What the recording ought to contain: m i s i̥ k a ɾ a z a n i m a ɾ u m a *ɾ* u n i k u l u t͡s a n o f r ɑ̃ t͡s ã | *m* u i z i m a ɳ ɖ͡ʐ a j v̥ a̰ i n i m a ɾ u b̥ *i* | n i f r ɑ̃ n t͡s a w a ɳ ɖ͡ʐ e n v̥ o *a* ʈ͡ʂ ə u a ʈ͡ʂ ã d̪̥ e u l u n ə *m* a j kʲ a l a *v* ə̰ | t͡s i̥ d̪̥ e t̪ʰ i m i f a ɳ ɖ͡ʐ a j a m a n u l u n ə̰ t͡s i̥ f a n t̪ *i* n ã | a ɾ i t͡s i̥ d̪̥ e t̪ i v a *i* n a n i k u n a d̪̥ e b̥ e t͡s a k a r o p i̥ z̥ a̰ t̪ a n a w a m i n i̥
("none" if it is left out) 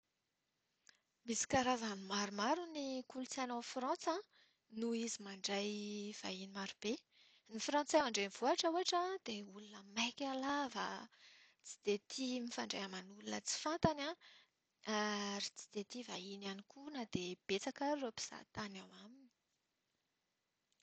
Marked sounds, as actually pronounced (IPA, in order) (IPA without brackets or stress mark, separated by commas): ɾ, n, e, a, m, v, a, i